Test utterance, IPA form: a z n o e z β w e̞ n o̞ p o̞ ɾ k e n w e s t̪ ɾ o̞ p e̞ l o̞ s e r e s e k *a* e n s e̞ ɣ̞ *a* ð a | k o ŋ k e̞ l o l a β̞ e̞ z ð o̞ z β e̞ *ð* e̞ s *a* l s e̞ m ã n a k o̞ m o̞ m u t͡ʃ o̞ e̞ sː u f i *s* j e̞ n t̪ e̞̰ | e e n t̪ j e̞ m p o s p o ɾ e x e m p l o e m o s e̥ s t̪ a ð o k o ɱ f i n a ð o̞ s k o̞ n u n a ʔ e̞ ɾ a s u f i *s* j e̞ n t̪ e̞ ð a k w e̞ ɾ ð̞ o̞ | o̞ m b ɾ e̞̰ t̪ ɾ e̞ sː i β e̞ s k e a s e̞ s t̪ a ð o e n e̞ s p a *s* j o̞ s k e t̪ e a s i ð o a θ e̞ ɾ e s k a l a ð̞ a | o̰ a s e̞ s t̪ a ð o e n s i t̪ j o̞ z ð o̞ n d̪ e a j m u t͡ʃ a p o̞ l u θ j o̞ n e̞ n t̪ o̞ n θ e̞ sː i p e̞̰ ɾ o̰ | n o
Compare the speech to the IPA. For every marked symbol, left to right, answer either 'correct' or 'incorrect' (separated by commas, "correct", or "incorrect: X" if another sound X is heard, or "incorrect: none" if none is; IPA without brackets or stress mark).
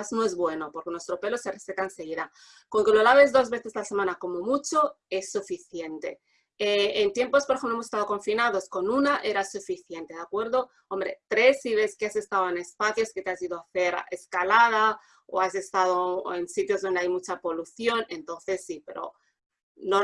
correct, incorrect: i, incorrect: θ, correct, incorrect: θ, incorrect: θ, incorrect: θ